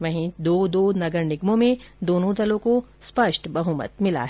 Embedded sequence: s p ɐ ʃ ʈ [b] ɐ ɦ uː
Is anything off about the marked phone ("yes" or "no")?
no